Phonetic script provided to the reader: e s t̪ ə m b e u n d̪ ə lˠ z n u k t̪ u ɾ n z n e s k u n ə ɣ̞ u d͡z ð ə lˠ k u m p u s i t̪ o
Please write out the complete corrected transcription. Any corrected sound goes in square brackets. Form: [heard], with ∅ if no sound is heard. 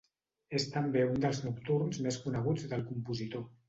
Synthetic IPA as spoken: e s t̪ ə m b e u n d̪ ə lˠ z n u k t̪ u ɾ n z [m] e s k u n ə ɣ̞ u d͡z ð ə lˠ k u m p u [z] i t̪ o

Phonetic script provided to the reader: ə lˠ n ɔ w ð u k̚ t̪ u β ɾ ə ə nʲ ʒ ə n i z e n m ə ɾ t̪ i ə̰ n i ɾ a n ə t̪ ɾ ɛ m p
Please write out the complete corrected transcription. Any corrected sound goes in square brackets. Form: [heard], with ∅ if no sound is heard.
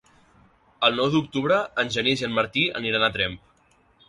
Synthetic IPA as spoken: ə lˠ n ɔ w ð u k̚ t̪ u β ɾ ə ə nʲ ʒ ə n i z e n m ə ɾ t̪ i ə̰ n i ɾ a n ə t̪ ɾ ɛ m p

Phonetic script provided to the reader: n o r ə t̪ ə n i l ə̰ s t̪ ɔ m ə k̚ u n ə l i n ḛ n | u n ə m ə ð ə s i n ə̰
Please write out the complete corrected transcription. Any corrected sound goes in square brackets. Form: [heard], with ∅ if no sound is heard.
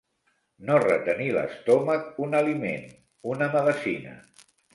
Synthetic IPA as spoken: n o r ə t̪ ə n i l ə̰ s t̪ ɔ m ə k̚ u n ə l i [m] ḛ n | u n ə m ə ð ə s i n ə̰

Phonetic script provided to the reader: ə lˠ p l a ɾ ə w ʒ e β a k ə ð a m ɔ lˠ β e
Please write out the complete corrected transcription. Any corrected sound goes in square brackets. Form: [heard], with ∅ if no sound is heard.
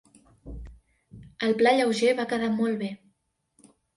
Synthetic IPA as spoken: ə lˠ p l a [ʎ] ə w ʒ e β a k ə ð a m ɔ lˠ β e

